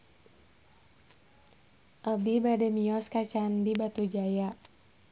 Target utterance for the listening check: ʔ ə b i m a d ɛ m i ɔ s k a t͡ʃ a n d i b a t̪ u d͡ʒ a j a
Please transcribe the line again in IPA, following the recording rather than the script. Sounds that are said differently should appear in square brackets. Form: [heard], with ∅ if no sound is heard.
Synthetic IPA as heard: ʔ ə b i [b] a d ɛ m i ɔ s k a t͡ʃ a n d i b a t̪ u d͡ʒ a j a